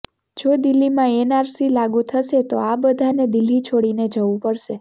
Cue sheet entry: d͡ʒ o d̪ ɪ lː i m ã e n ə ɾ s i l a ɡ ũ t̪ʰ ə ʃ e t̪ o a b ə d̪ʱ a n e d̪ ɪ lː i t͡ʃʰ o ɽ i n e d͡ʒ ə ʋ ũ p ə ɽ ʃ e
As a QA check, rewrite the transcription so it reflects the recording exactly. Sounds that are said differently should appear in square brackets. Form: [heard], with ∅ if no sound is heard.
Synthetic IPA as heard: d͡ʒ o d̪ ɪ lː i m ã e n [a] ɾ s i l a ɡ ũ t̪ʰ ə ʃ e t̪ o a b ə d̪ʱ a n e d̪ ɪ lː i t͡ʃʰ o ɽ i n e d͡ʒ ə ʋ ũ p ə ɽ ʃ e